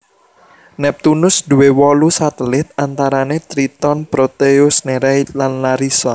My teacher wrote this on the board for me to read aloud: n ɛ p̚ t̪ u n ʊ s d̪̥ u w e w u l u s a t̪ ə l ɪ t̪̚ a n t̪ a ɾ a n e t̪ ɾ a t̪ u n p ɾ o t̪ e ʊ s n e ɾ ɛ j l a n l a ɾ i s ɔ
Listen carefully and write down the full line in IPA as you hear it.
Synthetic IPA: n ɛ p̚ t̪ u n ʊ s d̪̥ u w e w ɔ l u s a t̪ ə l ɪ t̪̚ a n t̪ a ɾ a n e t̪ ɾ i t̪ ɔ n p ɾ o t̪ e ʊ s n e ɾ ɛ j l a n l a ɾ i s ɔ